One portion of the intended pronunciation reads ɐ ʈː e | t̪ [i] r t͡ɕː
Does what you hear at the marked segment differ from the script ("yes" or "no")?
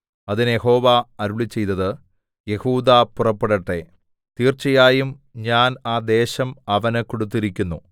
yes